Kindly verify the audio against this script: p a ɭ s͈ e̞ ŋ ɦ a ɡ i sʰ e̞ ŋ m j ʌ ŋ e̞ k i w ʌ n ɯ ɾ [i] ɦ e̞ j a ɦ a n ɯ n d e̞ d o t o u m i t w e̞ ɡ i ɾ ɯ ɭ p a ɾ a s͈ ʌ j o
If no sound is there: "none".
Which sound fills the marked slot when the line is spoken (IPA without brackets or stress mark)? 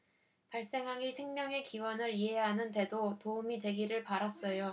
i